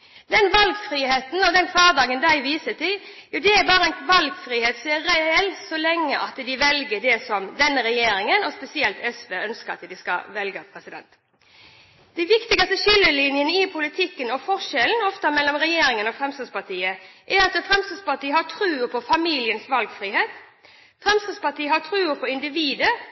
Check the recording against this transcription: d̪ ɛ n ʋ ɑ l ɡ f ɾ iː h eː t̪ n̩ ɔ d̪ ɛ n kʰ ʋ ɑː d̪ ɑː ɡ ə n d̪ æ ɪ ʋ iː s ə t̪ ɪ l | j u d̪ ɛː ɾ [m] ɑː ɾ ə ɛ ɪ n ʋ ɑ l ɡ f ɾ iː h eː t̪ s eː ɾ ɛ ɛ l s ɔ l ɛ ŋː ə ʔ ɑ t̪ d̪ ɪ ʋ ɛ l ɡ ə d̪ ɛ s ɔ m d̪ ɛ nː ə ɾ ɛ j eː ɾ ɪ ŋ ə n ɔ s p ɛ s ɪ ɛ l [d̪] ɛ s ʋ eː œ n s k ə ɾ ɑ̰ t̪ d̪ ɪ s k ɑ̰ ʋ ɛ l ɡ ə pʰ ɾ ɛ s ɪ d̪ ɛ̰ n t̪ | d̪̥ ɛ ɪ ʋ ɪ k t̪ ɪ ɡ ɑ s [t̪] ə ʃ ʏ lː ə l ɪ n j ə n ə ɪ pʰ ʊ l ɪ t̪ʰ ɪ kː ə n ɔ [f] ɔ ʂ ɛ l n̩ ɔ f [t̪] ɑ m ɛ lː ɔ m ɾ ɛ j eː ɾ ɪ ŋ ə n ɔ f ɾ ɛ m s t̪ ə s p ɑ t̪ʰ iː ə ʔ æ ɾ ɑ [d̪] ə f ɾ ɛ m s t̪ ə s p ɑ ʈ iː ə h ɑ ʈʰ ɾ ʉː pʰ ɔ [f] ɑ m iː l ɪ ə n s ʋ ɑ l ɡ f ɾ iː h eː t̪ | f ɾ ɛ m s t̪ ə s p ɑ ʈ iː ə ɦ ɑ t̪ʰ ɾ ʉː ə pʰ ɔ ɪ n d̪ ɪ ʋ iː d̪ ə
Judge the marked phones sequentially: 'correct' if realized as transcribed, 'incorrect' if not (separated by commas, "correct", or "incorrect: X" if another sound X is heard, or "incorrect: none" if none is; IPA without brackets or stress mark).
incorrect: b, incorrect: t̪, correct, correct, correct, incorrect: t̪, correct